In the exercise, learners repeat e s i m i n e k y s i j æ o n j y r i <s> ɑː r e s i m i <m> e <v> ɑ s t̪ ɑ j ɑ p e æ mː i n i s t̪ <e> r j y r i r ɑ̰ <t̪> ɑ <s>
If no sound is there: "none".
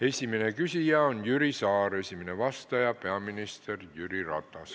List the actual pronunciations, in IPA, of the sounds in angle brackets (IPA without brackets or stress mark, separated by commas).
s, n, ʋ, e, t̪, s